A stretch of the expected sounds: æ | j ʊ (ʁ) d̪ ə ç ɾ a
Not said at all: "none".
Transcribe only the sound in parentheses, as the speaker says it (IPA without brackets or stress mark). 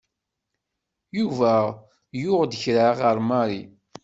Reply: ʁ